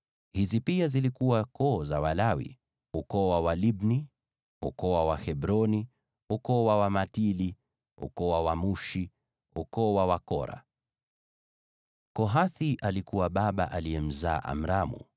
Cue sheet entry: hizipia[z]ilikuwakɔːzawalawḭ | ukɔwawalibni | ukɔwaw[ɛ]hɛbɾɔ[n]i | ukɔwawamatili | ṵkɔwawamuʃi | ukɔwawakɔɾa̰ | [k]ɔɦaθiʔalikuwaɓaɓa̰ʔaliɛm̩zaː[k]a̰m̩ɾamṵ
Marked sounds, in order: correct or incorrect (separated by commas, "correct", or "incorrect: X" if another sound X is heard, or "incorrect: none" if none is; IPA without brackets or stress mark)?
correct, incorrect: a, correct, correct, incorrect: ʔ